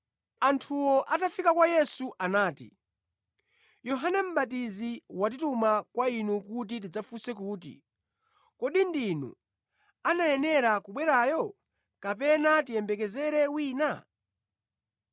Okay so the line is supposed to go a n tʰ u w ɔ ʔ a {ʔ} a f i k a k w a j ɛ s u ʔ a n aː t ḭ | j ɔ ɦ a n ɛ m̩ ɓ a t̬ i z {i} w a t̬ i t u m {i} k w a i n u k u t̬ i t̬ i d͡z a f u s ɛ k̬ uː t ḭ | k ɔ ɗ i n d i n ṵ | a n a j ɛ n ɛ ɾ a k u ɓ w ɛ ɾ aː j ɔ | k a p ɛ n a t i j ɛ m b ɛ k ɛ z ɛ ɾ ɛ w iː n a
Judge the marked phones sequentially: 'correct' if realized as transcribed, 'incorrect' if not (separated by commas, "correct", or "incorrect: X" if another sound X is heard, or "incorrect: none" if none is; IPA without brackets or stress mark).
incorrect: t, correct, incorrect: a